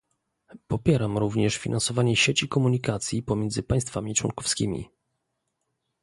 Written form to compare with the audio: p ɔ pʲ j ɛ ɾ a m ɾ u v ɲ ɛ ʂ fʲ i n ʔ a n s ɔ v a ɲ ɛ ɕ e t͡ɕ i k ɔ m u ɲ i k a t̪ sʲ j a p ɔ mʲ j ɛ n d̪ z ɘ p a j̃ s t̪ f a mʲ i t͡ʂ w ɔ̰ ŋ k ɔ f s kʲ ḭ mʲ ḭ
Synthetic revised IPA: p ɔ pʲ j ɛ ɾ a m ɾ u v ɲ ɛ ʂ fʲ i n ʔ a n s ɔ v a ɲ ɛ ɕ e t͡ɕ i k ɔ m u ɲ i k a t̪ sʲ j i p ɔ mʲ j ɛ n d̪ z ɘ p a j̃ s t̪ f a mʲ i t͡ʂ w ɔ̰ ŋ k ɔ f s kʲ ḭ mʲ ḭ